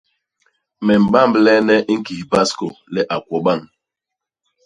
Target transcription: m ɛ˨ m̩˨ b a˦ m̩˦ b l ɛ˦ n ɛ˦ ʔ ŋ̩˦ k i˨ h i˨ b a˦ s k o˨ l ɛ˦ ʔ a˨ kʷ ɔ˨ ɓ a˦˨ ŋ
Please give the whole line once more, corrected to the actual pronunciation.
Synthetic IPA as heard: m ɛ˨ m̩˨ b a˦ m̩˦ b l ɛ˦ n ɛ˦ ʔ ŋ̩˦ k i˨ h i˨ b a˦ s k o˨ l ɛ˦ ʔ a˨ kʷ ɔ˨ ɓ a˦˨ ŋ